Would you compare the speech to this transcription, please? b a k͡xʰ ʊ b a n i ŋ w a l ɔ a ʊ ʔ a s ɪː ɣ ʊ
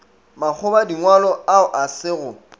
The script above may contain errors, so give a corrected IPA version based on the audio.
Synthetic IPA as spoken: m a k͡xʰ ʊ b a d i ŋ w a l ɔ a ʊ ʔ a s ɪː ɣ ʊ